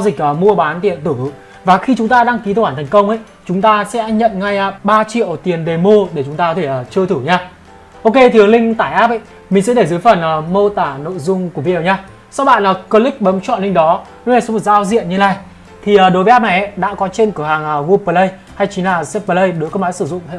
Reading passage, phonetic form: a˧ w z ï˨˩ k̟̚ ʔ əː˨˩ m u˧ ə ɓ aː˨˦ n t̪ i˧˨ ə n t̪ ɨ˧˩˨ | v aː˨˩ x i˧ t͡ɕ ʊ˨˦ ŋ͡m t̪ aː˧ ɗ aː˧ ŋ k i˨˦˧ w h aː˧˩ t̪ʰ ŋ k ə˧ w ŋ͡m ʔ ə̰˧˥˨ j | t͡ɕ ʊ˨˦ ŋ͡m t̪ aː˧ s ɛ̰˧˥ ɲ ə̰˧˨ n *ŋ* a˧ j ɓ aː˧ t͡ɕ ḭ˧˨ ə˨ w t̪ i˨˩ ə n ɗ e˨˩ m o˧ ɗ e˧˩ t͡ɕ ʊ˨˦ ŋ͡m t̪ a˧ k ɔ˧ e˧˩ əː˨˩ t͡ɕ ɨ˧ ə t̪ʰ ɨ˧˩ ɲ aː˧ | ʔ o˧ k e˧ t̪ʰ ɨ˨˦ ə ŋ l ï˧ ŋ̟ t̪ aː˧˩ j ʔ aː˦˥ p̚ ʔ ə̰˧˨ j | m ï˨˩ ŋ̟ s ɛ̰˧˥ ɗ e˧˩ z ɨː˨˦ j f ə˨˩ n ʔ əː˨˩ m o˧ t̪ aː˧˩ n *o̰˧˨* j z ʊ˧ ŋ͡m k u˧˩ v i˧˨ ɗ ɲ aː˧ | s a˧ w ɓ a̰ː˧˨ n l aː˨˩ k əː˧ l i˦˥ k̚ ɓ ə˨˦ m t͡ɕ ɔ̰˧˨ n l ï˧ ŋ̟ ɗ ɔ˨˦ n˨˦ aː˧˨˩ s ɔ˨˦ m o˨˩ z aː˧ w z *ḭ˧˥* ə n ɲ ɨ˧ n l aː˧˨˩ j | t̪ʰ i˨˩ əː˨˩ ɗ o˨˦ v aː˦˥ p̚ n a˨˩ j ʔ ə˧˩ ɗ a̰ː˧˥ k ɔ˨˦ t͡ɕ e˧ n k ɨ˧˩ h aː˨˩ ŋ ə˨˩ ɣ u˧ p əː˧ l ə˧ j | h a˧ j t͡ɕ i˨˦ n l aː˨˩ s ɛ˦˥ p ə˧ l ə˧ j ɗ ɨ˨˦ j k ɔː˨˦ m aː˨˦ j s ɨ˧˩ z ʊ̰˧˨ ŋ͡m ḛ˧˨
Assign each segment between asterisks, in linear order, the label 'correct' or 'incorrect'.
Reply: correct, correct, incorrect: ḭ˧˨

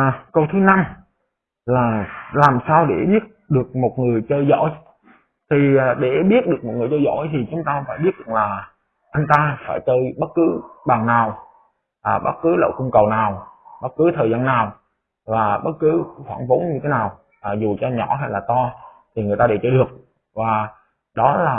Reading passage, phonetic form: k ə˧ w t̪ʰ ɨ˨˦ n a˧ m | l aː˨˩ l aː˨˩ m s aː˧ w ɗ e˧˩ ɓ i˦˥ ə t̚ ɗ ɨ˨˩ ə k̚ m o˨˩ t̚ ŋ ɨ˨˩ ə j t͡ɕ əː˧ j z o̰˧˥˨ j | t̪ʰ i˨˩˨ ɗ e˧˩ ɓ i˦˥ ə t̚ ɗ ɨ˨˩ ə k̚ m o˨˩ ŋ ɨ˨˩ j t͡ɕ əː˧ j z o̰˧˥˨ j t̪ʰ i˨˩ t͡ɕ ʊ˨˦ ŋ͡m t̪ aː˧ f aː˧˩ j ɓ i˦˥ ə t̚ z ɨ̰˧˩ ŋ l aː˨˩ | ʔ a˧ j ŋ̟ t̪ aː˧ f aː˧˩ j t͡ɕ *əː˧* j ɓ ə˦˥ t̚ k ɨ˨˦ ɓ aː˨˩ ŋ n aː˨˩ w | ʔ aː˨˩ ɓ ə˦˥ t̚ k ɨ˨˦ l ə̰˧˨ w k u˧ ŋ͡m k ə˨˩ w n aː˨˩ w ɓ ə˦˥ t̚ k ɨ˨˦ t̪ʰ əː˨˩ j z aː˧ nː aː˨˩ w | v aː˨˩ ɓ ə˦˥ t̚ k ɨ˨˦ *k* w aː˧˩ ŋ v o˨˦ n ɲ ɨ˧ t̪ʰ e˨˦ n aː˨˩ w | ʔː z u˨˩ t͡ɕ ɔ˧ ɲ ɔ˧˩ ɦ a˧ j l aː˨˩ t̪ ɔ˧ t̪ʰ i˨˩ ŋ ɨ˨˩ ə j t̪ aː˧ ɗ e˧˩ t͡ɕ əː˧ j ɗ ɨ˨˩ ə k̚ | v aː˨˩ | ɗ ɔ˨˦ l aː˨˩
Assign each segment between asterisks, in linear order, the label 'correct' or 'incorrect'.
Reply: correct, incorrect: x

